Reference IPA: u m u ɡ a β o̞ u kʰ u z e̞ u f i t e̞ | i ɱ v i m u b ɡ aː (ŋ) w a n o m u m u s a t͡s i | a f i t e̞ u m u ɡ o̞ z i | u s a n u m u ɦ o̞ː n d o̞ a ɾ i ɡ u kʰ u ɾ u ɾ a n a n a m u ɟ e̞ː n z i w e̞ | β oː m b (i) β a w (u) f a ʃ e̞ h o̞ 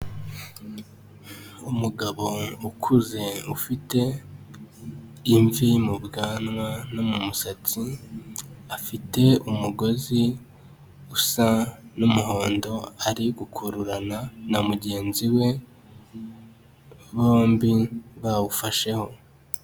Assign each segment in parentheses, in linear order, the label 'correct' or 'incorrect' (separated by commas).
incorrect, correct, correct